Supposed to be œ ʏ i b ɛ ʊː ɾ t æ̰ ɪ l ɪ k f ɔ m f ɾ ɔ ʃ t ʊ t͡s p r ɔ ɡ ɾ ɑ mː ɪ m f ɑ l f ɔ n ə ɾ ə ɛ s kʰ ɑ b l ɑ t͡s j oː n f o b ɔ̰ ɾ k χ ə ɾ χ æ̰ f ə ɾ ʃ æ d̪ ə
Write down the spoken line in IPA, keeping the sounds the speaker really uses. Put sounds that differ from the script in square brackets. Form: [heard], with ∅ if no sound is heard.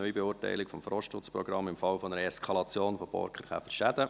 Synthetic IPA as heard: œ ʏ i b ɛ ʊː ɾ t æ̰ ɪ l ɪ k f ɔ m f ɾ ɔ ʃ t ʊ t͡s p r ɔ ɡ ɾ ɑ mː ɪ m f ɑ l f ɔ n ə ɾ ə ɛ s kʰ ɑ [∅] l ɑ t͡s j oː n f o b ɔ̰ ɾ k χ ə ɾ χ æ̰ f ə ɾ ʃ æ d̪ ə